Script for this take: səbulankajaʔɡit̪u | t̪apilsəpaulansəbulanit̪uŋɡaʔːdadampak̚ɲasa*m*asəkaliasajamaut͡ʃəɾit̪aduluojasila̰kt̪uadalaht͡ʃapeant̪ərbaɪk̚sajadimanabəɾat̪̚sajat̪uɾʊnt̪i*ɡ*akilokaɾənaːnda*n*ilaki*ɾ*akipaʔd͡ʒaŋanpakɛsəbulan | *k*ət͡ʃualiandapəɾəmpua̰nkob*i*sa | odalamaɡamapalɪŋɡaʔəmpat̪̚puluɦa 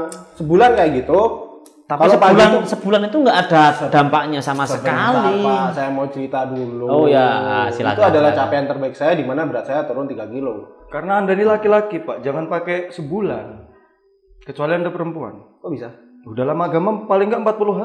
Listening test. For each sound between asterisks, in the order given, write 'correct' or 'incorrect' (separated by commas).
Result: correct, correct, correct, incorrect, correct, correct